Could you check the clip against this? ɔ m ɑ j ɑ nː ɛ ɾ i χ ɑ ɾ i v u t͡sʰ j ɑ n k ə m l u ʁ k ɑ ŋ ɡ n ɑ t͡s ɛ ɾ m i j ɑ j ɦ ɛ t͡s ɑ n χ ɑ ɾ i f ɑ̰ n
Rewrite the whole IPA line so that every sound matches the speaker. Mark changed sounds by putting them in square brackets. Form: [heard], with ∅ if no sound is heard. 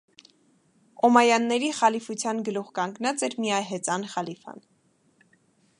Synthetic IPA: ɔ m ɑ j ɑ nː ɛ ɾ i χ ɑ [l] i [f] u t͡sʰ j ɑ n [ɡ] ə [∅] l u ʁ k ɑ ŋ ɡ n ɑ t͡s ɛ ɾ m i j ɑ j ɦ ɛ t͡s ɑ n χ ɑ [l] i f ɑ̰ n

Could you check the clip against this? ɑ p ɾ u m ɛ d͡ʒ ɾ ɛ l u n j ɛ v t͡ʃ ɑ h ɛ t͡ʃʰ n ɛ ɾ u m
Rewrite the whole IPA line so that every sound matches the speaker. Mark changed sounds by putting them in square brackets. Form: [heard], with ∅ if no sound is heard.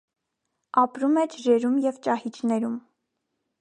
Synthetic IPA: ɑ p ɾ u m ɛ d͡ʒ ɾ ɛ [ɾ] u [m] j ɛ v t͡ʃ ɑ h [i] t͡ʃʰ n ɛ ɾ u m

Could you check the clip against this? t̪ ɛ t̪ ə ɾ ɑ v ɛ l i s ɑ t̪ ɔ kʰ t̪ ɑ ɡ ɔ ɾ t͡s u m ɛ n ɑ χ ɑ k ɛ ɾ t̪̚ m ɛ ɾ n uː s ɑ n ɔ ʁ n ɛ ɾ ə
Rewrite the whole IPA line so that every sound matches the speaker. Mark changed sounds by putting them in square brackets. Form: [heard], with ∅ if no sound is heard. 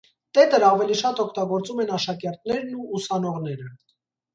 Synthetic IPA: t̪ ɛ t̪ ə ɾ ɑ v ɛ l i [ʃ] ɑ t̪ ɔ kʰ t̪ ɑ ɡ ɔ ɾ t͡s u m ɛ n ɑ [ʃ] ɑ k ɛ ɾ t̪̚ [n] ɛ ɾ n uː s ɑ n ɔ ʁ n ɛ ɾ ə

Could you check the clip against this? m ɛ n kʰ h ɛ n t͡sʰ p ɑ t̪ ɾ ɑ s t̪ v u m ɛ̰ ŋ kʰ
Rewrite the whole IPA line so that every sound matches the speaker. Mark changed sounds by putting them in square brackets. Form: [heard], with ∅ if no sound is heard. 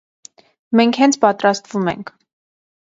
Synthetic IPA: m ɛ [ŋ] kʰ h ɛ n t͡sʰ p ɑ t̪ ɾ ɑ s t̪ v u m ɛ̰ ŋ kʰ

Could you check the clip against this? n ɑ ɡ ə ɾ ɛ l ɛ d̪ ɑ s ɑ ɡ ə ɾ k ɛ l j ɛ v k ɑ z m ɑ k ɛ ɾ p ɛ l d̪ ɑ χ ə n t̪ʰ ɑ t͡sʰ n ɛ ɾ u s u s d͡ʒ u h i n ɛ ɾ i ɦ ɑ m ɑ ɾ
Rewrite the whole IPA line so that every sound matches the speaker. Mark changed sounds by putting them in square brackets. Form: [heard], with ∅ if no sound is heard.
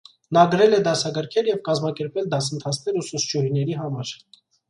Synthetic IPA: n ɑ ɡ ə ɾ ɛ l ɛ d̪ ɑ s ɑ ɡ ə ɾ [kʰ] ɛ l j ɛ v k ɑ z m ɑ k ɛ ɾ p ɛ l d̪ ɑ [s] ə n t̪ʰ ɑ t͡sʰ n ɛ ɾ u s u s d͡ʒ u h i n ɛ ɾ i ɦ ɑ m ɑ ɾ

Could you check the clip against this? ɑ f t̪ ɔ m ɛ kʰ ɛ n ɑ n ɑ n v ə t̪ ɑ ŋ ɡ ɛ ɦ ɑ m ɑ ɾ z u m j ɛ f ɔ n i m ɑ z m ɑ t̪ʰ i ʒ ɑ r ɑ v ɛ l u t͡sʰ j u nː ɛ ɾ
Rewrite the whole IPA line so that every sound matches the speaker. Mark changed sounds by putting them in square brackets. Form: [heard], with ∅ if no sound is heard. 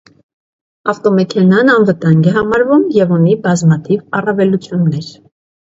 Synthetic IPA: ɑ f t̪ ɔ m ɛ kʰ ɛ n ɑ n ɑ n v ə t̪ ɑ ŋ ɡ ɛ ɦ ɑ m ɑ ɾ [v] u m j ɛ [v] ɔ n i [b] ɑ z m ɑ t̪ʰ i [v] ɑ r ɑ v ɛ l u t͡sʰ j u nː ɛ ɾ

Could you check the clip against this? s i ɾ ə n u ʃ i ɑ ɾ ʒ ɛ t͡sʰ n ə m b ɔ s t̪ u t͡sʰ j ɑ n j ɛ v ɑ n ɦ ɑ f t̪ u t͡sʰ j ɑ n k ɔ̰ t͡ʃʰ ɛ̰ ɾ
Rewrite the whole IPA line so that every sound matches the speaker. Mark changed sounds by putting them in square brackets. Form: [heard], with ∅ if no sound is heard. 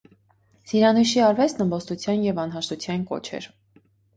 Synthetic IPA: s i ɾ [ɑ] n u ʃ i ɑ ɾ [v] ɛ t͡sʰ n ə m b ɔ s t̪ u t͡sʰ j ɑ n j ɛ v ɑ n ɦ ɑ [ʃ] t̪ u t͡sʰ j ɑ n k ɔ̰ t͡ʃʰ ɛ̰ ɾ

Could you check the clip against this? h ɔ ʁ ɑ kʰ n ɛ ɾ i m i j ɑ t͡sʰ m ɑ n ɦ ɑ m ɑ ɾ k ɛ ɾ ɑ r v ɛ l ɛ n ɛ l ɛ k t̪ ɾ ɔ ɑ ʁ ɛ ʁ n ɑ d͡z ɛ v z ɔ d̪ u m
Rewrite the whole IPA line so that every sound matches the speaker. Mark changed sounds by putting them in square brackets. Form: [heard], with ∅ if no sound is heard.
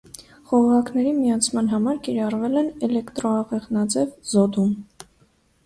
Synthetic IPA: [χ] ɔ ʁ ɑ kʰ n ɛ ɾ i m i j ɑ t͡sʰ m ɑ n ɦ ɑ m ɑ ɾ k [i] ɾ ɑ r v ɛ l ɛ n ɛ l ɛ k t̪ ɾ ɔ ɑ ʁ ɛ ʁ n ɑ d͡z ɛ v z ɔ d̪ u m

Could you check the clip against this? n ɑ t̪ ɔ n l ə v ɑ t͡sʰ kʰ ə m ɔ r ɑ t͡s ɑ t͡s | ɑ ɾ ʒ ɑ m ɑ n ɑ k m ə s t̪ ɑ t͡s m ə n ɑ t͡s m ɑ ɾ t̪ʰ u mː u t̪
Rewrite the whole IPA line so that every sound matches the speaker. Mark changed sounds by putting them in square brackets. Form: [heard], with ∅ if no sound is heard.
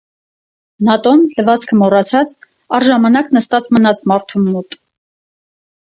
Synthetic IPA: n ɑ t̪ ɔ n l ə v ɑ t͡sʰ kʰ ə m ɔ r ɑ [t͡sʰ] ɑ t͡s | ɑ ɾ ʒ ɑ m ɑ n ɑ k [n] ə s t̪ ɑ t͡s m ə n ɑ t͡s m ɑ ɾ t̪ʰ u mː u t̪

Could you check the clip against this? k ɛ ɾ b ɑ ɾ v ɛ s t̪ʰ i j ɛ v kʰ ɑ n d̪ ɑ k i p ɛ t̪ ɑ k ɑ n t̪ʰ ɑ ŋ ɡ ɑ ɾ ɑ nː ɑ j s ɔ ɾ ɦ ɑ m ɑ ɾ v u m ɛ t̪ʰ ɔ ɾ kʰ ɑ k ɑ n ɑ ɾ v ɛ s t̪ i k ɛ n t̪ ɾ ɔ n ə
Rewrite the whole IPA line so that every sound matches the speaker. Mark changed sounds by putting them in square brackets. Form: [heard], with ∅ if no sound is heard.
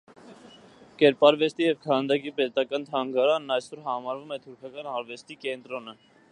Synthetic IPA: k ɛ ɾ [p] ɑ ɾ v ɛ s [t̪] i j ɛ v kʰ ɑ n d̪ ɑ k i p ɛ t̪ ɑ k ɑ n t̪ʰ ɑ ŋ ɡ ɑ ɾ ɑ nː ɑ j s ɔ ɾ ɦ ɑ m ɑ ɾ v u m ɛ t̪ʰ [u] ɾ kʰ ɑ k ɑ n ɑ ɾ v ɛ s t̪ i k ɛ n t̪ ɾ ɔ n ə

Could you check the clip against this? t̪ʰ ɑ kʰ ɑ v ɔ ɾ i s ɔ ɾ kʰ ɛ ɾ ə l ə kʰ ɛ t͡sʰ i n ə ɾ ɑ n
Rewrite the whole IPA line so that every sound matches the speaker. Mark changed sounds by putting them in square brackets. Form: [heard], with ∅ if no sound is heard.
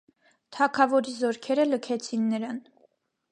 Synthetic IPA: t̪ʰ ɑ kʰ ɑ v ɔ ɾ i [z] ɔ ɾ kʰ ɛ ɾ ə l ə kʰ ɛ t͡sʰ i [nː] ə ɾ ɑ n

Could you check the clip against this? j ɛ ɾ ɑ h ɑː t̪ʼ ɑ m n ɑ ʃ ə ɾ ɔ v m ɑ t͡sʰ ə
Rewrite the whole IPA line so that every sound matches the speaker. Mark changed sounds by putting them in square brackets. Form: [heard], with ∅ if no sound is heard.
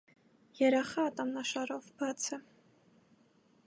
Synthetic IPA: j ɛ ɾ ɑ [χ] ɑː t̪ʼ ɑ m n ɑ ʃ [ɑ] ɾ ɔ v [b] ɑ t͡sʰ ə

